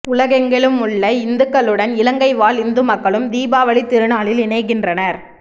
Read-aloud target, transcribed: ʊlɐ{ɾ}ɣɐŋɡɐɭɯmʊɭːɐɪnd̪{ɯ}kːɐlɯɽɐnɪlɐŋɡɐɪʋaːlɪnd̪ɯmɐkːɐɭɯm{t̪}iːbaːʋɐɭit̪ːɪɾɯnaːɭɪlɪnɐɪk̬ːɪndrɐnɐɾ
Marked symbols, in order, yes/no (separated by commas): no, yes, no